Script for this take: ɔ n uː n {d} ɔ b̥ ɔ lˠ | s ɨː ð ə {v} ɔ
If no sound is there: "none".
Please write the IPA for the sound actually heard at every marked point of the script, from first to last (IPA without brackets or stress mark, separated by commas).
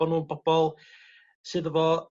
b, v